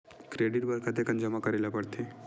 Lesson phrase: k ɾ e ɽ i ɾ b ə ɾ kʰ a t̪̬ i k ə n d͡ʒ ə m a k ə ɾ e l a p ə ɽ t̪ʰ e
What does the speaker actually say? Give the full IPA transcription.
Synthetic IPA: k ɾ e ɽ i ɾ b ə ɾ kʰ a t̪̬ e k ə n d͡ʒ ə m a k ə ɾ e l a p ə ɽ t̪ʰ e